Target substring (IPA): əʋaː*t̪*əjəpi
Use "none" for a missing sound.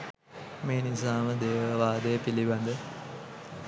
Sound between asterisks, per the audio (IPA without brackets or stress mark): d̪